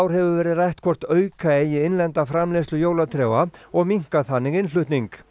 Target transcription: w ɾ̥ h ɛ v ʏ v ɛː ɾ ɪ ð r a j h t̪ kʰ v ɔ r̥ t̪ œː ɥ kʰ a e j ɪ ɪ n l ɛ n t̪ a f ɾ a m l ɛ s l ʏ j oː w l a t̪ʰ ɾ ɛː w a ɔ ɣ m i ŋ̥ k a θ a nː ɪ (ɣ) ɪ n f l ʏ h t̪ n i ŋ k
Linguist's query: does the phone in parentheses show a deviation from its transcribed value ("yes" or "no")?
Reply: no